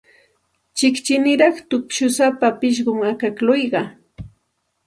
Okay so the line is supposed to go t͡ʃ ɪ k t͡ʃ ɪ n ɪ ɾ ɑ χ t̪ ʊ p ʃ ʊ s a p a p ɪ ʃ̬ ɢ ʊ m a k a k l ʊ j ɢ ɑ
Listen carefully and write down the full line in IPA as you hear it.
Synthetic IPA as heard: t͡ʃ ɪ k t͡ʃ ɪ n ɪ ɾ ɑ χ t̪ ʊ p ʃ ʊ s a p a p ɪ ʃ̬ ɢ ʊ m a k a k l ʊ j ɢ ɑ